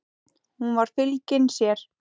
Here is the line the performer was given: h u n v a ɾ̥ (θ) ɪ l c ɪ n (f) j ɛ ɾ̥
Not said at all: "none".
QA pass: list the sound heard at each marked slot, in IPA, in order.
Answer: f, s

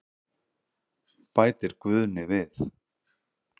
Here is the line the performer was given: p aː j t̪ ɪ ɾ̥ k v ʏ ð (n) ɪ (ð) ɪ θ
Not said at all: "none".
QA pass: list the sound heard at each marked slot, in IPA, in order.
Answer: n, v

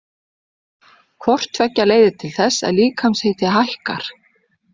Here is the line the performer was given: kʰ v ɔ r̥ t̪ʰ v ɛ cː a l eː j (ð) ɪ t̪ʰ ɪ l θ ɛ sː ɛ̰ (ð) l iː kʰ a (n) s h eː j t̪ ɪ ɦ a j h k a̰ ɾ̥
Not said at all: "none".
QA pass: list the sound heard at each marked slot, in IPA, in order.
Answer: ð, ð, m

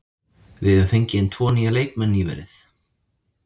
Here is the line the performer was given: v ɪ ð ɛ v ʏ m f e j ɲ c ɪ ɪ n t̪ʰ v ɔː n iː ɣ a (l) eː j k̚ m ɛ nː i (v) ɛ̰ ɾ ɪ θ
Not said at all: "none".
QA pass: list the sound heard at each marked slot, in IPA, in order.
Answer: l, v

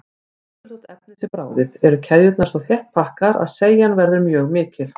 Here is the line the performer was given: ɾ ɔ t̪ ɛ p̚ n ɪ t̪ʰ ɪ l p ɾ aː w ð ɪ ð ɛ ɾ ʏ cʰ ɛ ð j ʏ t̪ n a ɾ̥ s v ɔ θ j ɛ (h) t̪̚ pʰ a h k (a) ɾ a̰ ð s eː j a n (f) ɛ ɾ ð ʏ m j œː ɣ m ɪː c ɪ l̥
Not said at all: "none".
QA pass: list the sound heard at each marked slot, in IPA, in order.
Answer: h, a, v

